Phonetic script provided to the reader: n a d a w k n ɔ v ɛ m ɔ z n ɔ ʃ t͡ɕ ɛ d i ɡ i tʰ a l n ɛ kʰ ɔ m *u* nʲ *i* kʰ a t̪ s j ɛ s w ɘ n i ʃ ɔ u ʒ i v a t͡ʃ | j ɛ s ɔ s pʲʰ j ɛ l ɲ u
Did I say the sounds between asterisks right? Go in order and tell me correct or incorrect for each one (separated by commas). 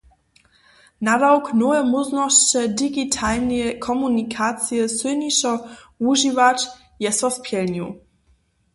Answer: correct, correct